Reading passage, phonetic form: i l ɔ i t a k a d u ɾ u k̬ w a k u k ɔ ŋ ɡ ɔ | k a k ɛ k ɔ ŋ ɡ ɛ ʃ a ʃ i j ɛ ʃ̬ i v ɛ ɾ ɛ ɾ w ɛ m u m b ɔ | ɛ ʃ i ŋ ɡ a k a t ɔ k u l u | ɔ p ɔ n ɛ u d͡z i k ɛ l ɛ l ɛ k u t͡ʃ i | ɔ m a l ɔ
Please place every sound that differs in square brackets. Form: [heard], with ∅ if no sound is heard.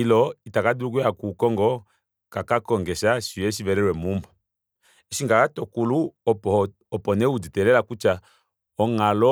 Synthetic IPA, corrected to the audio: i l ɔ i t a k a d u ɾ u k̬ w a k u k ɔ ŋ ɡ ɔ | k a k [a] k ɔ ŋ ɡ ɛ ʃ a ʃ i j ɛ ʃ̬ i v ɛ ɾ ɛ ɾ w ɛ m u m b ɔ | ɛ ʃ i ŋ ɡ a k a t ɔ k u l u | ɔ p ɔ n ɛ u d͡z i [t] ɛ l ɛ l [a] k u t͡ʃ [a] | ɔ [ŋ] a l ɔ